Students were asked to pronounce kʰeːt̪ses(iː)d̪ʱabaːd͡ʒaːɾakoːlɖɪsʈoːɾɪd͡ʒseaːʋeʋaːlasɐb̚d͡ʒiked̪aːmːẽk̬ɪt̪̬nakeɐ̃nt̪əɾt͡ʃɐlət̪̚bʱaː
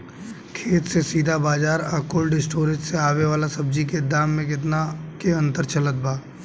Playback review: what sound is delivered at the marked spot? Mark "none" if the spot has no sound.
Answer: iː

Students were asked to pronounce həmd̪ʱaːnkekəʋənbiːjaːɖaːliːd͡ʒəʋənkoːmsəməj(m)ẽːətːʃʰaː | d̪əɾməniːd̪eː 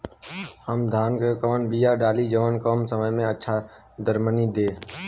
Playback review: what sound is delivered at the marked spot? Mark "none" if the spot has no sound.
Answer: m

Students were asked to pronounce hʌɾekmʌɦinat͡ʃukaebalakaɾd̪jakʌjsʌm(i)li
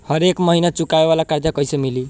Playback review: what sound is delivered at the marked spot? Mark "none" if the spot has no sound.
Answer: i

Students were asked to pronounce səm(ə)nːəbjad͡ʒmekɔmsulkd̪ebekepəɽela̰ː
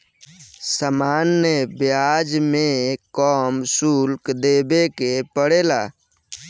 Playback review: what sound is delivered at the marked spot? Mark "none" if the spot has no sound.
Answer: a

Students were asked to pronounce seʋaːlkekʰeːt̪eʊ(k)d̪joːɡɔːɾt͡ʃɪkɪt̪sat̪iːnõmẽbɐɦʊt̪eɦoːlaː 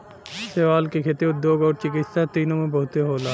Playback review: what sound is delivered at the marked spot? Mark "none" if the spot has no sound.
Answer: none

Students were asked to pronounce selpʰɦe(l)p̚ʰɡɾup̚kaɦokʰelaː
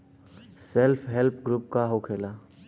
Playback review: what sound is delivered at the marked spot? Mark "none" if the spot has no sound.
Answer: l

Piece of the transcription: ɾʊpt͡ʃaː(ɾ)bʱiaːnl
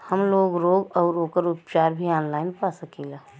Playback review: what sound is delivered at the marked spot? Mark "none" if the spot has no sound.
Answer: ɾ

